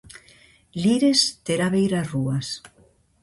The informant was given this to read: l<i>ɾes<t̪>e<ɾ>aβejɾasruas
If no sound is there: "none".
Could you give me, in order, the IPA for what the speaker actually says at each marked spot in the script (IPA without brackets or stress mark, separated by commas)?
i, t̪, ɾ